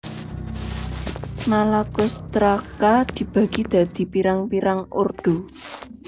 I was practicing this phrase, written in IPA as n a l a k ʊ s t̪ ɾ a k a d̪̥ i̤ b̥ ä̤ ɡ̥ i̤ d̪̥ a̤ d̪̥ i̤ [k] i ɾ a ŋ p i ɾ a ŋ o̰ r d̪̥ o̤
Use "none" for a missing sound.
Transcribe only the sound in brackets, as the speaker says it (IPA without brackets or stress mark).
p